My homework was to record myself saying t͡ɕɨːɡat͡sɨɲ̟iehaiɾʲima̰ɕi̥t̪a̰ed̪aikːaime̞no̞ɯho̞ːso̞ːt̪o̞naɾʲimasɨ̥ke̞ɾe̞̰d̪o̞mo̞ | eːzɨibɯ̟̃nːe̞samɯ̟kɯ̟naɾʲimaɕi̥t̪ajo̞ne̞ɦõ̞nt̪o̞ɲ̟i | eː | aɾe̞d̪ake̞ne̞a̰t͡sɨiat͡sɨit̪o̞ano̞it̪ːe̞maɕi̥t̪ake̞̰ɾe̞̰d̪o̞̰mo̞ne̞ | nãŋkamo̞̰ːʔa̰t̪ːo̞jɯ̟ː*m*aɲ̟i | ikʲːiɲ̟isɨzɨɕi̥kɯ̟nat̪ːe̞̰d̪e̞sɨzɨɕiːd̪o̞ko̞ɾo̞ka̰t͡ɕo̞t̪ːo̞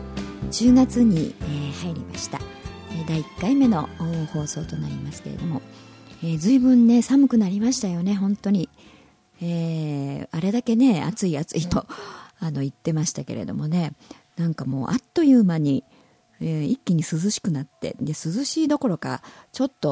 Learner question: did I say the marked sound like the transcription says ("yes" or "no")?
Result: yes